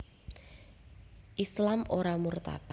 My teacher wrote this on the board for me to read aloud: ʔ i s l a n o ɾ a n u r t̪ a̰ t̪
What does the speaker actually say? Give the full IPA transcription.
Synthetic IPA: ʔ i s l a m o ɾ a m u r t̪ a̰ t̪